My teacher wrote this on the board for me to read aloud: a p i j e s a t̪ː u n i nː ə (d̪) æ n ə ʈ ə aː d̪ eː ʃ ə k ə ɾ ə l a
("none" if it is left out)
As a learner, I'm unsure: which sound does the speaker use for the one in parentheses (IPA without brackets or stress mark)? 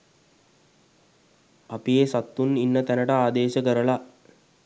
t̪